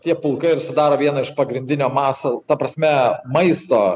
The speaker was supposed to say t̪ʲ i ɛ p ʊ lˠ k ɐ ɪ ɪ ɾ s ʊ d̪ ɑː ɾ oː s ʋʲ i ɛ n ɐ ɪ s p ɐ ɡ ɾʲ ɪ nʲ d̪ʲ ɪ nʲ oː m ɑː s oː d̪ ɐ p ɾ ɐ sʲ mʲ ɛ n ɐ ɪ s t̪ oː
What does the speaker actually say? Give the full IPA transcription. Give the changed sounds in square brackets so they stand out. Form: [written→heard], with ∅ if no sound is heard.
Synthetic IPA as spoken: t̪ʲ i ɛ p ʊ lˠ k ɐ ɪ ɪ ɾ s ʊ d̪ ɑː ɾ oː [s→∅] ʋʲ i ɛ n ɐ ɪ [s→ʃ] p ɐ ɡ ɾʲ ɪ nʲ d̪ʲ ɪ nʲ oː m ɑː s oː [d̪→t̪] ɐ p ɾ ɐ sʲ mʲ ɛ [n→m] ɐ ɪ s t̪ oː

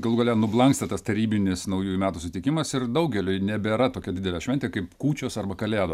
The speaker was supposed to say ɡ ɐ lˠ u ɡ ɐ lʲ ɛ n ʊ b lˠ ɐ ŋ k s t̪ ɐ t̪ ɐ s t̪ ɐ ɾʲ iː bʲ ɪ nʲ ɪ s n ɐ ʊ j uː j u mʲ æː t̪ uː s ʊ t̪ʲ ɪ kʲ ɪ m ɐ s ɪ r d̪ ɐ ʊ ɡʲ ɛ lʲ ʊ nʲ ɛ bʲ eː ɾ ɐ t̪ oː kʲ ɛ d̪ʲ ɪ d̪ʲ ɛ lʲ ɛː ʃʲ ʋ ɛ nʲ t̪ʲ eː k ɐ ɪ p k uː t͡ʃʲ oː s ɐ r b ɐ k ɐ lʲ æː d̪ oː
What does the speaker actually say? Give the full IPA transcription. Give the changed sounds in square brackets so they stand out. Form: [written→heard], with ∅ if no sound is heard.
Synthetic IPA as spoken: ɡ ɐ lˠ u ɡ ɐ lʲ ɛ n ʊ b lˠ ɐ ŋ k s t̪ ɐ t̪ ɐ s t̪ ɐ ɾʲ iː bʲ ɪ nʲ ɪ s n ɐ ʊ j uː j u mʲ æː t̪ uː s ʊ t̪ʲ ɪ kʲ ɪ m ɐ s ɪ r d̪ ɐ ʊ ɡʲ ɛ lʲ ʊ nʲ ɛ bʲ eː ɾ ɐ t̪ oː kʲ ɛ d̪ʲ ɪ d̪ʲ ɛ lʲ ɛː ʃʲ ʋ ɛ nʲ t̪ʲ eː k ɐ ɪ p k uː t͡ʃʲ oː s ɐ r b ɐ k ɐ lʲ æː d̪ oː

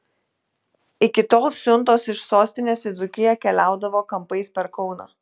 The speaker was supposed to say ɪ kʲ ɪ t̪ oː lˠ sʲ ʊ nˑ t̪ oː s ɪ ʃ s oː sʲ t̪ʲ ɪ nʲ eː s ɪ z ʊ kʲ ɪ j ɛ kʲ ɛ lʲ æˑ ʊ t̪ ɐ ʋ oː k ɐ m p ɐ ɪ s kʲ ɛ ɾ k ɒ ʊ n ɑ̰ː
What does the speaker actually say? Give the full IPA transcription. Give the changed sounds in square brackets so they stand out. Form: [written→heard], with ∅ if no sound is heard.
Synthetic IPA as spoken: ɪ kʲ ɪ t̪ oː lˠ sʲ ʊ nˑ t̪ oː s ɪ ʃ s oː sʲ t̪ʲ ɪ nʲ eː s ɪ z ʊ kʲ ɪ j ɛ kʲ ɛ lʲ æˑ ʊ [t̪→d̪] ɐ ʋ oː k ɐ m p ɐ ɪ s [kʲ→pʲ] ɛ ɾ k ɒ ʊ n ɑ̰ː

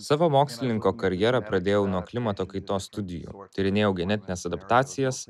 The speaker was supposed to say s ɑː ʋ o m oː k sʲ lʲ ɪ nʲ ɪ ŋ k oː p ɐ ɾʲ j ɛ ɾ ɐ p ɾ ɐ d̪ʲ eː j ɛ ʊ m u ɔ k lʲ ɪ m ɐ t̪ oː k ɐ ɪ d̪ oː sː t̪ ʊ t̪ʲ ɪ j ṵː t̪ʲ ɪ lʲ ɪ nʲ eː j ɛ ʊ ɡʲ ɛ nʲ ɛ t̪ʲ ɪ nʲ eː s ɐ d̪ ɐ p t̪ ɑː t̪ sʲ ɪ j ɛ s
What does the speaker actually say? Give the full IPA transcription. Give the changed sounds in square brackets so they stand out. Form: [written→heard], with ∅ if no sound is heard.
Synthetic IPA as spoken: s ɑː ʋ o m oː k sʲ lʲ ɪ nʲ ɪ ŋ k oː [p→k] ɐ ɾʲ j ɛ ɾ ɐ p ɾ ɐ d̪ʲ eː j ɛ ʊ [m→n] u ɔ k lʲ ɪ m ɐ t̪ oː k ɐ ɪ [d̪→t̪] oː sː t̪ ʊ [t̪ʲ→d̪ʲ] ɪ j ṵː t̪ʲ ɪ [lʲ→ɾʲ] ɪ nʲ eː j ɛ ʊ ɡʲ ɛ nʲ ɛ t̪ʲ ɪ nʲ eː s ɐ d̪ ɐ p t̪ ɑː t̪ sʲ ɪ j ɛ s

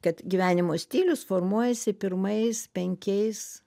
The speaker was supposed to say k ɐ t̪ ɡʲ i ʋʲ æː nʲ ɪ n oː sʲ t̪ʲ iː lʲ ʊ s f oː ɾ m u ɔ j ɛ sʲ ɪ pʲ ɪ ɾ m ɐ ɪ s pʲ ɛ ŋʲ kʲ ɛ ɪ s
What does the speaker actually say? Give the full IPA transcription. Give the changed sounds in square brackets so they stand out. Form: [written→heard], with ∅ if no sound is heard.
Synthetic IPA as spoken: k ɐ t̪ ɡʲ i ʋʲ æː nʲ ɪ [n→m] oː sʲ t̪ʲ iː lʲ ʊ s f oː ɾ m u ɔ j ɛ sʲ ɪ pʲ ɪ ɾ m ɐ ɪ s pʲ ɛ ŋʲ kʲ ɛ ɪ s

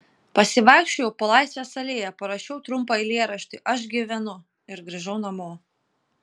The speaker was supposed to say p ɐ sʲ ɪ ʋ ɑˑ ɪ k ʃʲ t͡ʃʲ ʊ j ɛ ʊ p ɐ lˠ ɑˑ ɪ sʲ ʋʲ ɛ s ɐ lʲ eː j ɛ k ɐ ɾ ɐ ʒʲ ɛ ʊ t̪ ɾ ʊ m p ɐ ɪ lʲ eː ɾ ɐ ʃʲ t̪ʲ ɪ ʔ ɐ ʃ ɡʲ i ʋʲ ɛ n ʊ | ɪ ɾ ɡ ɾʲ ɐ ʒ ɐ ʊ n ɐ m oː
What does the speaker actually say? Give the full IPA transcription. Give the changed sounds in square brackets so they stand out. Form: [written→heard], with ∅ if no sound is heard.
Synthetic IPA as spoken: p ɐ sʲ ɪ ʋ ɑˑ ɪ k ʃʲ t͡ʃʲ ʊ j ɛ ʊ p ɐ lˠ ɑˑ ɪ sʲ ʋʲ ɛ s ɐ lʲ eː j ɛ [k→p] ɐ ɾ ɐ [ʒʲ→ʃʲ] ɛ ʊ t̪ ɾ ʊ m p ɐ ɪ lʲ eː ɾ ɐ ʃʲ t̪ʲ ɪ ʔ ɐ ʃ ɡʲ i ʋʲ ɛ n ʊ | ɪ ɾ ɡ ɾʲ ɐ ʒ ɐ ʊ n ɐ m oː

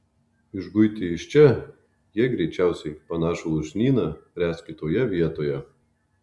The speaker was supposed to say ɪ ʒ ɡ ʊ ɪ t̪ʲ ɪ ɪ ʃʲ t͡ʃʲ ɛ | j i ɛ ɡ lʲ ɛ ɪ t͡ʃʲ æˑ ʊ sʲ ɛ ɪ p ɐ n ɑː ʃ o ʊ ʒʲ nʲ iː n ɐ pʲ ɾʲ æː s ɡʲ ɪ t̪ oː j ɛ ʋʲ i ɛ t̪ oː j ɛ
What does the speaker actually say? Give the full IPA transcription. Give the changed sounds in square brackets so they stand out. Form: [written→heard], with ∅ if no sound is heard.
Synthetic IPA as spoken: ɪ ʒ ɡ ʊ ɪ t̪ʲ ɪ ɪ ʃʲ t͡ʃʲ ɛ | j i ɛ ɡ [lʲ→ɾʲ] ɛ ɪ t͡ʃʲ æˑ ʊ sʲ ɛ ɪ p ɐ n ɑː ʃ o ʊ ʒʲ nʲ iː n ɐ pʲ ɾʲ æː s [ɡʲ→kʲ] ɪ t̪ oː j ɛ ʋʲ i ɛ t̪ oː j ɛ

